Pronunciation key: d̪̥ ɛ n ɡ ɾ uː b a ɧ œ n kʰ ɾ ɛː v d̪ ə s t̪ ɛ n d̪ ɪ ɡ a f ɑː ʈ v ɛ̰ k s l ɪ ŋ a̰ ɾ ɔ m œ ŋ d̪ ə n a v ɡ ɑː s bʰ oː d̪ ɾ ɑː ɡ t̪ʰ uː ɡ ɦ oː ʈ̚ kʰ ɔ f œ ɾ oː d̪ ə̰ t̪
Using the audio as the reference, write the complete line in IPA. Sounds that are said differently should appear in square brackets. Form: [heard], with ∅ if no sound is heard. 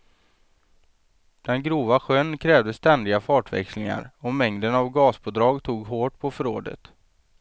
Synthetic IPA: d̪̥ ɛ n ɡ ɾ uː [v] a ɧ œ n kʰ ɾ ɛː v d̪ ə s t̪ ɛ n d̪ ɪ ɡ a f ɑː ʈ v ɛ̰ k s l ɪ ŋ a̰ ɾ ɔ m [ɛ] ŋ d̪ ə n a v ɡ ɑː s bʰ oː d̪ ɾ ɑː ɡ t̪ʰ uː ɡ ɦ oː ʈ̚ [pʰ] ɔ f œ ɾ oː d̪ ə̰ t̪

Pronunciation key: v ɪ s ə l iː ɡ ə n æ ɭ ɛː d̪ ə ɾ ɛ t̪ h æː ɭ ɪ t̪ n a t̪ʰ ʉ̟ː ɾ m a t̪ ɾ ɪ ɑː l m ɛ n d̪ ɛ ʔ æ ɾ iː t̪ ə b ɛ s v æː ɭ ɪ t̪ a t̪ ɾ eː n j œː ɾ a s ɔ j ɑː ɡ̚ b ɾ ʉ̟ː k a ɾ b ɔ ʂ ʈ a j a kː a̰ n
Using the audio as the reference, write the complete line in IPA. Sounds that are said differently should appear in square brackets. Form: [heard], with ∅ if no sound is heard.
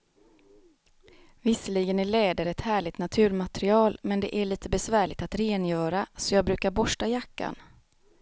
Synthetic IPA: v ɪ s ə l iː ɡ ə n æ ɭ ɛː d̪ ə ɾ ɛ t̪ h æː ɭ ɪ t̪ n a t̪ʰ ʉ̟ː ɾ m a t̪ ɾ ɪ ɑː l m ɛ n d̪ ɛ ʔ æ [ɭ] iː t̪ ə b ɛ s v æː ɭ ɪ t̪ a t̪ ɾ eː n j œː ɾ a s ɔ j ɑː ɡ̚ b ɾ ʉ̟ː k a ɾ b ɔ ʂ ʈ a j a kː a̰ n

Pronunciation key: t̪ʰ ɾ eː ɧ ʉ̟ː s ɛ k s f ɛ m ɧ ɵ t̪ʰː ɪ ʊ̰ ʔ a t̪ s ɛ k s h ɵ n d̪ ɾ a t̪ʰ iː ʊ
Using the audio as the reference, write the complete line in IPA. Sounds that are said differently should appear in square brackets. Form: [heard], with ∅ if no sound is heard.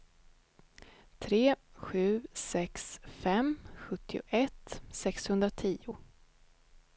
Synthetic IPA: t̪ʰ ɾ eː ɧ ʉ̟ː s ɛ k s f ɛ m ɧ ɵ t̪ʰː ɪ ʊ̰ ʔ [ɛ] t̪ s ɛ k s h ɵ n d̪ ɾ a t̪ʰ iː ʊ

